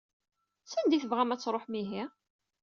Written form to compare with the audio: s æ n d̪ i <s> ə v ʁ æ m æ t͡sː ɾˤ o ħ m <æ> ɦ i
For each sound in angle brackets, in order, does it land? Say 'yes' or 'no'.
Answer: no, no

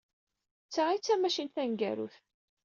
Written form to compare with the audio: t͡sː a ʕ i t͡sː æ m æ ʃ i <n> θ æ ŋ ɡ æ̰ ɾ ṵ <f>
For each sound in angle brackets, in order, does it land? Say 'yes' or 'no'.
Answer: yes, no

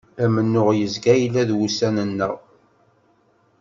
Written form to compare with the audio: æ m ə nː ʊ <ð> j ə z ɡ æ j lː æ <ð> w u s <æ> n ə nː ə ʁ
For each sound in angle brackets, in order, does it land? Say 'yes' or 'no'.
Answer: no, yes, yes

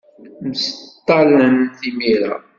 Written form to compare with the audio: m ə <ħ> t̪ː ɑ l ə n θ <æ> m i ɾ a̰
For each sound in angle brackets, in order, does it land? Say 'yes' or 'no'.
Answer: no, no

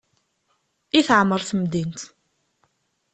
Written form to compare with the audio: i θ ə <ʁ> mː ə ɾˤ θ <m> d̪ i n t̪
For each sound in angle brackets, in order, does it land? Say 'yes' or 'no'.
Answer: no, yes

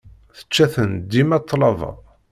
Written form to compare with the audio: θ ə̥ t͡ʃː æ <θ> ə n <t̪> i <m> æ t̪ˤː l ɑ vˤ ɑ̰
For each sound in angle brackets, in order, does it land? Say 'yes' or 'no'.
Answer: yes, no, yes

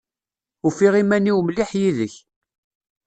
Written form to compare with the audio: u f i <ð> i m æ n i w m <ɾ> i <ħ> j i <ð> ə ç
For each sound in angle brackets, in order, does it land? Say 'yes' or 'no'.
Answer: no, no, yes, yes

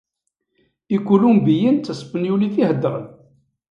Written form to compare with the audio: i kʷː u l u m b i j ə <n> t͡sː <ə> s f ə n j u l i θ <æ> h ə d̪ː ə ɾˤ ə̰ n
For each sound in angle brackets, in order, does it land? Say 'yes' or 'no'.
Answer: yes, yes, no

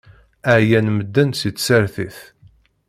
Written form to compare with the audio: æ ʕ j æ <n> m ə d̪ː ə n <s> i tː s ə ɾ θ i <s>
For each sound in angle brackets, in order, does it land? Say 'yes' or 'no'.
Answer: yes, yes, no

